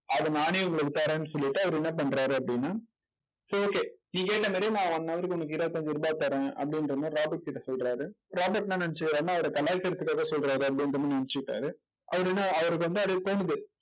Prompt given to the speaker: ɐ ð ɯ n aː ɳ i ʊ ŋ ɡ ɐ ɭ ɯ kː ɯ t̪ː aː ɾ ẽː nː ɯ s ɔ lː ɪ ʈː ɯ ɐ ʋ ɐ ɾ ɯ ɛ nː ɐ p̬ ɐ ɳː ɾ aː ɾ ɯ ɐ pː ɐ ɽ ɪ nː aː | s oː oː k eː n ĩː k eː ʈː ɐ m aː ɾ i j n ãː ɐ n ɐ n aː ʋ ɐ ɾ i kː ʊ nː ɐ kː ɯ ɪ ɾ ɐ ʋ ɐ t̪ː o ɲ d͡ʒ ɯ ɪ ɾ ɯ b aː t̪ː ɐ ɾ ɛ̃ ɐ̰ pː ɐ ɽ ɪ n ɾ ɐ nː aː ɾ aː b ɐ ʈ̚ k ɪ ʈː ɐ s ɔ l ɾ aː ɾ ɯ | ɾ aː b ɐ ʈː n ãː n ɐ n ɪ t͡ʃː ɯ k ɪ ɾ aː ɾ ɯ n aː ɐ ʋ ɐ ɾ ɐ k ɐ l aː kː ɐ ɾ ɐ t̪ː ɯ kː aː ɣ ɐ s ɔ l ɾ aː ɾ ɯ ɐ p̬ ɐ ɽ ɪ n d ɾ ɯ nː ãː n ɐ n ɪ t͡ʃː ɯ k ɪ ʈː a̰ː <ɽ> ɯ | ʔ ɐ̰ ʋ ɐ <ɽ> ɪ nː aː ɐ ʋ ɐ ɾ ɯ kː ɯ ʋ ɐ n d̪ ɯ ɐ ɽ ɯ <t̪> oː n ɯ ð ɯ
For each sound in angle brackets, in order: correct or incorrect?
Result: incorrect, incorrect, correct

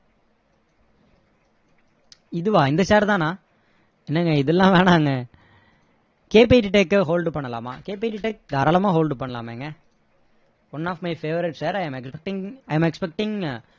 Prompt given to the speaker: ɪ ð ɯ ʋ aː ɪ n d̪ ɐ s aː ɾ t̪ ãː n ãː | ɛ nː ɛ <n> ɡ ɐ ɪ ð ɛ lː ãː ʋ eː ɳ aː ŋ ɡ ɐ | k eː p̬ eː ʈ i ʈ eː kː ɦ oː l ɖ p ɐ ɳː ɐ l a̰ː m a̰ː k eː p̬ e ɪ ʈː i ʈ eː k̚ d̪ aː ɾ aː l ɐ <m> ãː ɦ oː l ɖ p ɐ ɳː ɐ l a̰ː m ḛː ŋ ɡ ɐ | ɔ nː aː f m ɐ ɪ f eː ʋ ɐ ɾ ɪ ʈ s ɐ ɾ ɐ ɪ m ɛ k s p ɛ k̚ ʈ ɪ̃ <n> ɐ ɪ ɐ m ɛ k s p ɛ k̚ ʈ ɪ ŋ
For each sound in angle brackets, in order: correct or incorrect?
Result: incorrect, correct, incorrect

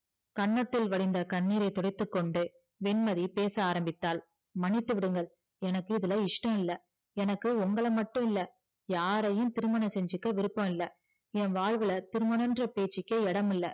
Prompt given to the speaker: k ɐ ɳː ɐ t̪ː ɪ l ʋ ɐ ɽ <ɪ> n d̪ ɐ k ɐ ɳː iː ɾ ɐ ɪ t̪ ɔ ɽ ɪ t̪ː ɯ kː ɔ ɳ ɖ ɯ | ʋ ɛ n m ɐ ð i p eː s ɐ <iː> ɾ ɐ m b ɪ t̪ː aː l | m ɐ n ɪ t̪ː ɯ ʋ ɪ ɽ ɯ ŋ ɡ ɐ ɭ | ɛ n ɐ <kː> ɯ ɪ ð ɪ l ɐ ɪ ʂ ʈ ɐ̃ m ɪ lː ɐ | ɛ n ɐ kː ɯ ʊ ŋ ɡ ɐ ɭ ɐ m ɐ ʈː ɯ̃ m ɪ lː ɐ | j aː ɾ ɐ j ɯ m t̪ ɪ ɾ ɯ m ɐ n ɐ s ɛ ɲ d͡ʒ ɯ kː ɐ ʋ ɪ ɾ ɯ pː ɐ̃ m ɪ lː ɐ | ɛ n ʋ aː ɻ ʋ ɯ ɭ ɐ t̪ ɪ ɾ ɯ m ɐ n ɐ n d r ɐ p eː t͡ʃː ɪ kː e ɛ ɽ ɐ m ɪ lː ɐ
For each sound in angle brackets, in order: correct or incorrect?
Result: correct, incorrect, correct

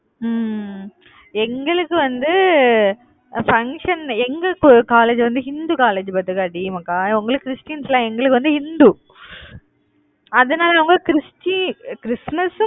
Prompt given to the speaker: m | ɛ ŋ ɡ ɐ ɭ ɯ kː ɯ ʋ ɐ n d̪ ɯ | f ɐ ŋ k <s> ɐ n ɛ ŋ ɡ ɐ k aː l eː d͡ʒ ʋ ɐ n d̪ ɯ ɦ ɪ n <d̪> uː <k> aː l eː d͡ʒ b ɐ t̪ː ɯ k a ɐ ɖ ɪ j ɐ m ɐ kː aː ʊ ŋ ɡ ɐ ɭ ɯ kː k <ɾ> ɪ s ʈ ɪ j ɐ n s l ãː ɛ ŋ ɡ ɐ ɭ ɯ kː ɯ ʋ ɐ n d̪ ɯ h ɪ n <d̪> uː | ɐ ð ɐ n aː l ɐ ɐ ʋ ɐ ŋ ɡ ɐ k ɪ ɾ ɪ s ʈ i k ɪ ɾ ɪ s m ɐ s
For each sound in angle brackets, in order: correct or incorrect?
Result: incorrect, correct, correct, correct, correct

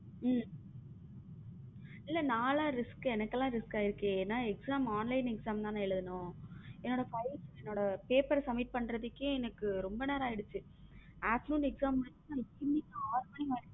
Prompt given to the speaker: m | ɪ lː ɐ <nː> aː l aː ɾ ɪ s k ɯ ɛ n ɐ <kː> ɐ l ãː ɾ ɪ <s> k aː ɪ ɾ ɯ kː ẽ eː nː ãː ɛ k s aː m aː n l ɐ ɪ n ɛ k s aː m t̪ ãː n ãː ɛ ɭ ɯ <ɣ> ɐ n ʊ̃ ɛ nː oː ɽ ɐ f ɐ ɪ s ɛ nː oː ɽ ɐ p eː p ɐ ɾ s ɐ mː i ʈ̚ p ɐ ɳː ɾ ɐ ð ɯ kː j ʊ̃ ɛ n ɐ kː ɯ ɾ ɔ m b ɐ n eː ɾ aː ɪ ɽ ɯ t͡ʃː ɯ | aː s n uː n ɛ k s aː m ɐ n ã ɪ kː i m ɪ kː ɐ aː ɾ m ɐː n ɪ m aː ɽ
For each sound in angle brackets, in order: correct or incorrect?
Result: incorrect, correct, correct, incorrect

